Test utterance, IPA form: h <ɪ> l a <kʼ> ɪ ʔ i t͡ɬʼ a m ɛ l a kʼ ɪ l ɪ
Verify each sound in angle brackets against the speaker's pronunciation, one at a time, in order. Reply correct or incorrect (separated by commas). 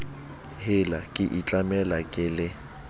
correct, correct